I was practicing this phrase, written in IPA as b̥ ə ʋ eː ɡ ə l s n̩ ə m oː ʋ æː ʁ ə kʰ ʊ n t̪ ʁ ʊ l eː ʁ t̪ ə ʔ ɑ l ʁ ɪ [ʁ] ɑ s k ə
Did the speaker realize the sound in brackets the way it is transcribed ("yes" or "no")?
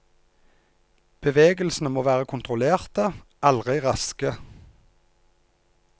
yes